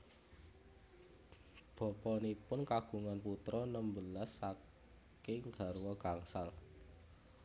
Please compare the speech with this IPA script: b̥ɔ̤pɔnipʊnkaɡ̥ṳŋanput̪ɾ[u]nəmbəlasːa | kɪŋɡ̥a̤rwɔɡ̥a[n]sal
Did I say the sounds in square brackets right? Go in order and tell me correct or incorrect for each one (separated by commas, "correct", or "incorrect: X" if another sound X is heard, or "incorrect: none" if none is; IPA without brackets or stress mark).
incorrect: ɔ, incorrect: ŋ